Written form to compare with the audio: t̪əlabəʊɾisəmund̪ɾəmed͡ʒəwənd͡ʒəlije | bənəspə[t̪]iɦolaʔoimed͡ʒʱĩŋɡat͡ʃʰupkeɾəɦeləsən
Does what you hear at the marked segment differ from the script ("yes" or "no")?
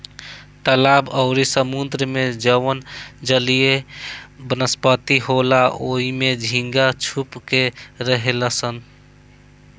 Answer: no